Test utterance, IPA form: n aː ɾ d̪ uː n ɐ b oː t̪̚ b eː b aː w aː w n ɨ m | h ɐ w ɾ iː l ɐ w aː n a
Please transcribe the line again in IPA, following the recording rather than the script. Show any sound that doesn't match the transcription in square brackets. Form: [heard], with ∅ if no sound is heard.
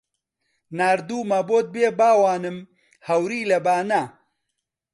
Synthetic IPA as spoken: n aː ɾ d̪ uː [m] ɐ b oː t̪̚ b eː b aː w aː [∅] n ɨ m | h ɐ w ɾ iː l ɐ [b] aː n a